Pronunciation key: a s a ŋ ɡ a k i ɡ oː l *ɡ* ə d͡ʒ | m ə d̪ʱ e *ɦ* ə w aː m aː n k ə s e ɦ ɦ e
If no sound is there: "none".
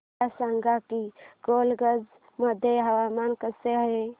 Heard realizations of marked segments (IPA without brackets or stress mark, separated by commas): ɡ, ɦ